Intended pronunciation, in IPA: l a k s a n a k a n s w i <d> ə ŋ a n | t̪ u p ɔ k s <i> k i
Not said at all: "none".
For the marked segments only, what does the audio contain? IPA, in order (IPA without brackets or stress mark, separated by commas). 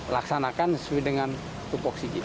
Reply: d, i